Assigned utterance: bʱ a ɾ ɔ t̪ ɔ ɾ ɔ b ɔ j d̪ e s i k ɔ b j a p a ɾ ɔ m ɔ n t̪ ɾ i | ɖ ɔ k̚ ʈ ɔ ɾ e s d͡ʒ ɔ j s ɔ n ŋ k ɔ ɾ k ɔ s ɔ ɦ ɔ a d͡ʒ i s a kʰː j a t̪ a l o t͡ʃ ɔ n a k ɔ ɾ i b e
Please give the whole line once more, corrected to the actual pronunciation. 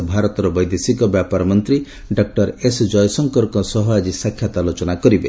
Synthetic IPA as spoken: bʱ a ɾ ɔ t̪ ɔ ɾ ɔ b ɔ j d̪ e s i k ɔ b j a p a ɾ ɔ m ɔ n t̪ ɾ i | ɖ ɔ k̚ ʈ ɔ ɾ e s d͡ʒ ɔ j s ɔ ŋ k ɔ ɾ k ɔ s ɔ ɦ ɔ a d͡ʒ i s a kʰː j a t̪ a l o t͡ʃ ɔ n a k ɔ ɾ i b e